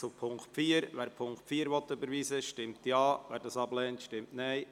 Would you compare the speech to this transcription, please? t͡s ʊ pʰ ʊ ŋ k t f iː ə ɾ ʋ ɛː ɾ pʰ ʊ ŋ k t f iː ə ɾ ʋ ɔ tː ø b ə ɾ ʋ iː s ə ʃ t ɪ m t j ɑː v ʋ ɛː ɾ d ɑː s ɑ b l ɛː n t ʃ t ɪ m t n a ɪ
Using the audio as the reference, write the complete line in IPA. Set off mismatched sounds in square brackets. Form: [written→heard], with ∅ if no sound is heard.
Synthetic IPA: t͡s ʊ pʰ ʊ ŋ k t f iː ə ɾ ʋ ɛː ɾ pʰ ʊ ŋ k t f iː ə ɾ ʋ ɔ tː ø b ə ɾ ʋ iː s ə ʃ t ɪ m t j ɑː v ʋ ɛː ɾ d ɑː s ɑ b l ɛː n t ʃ t ɪ m t n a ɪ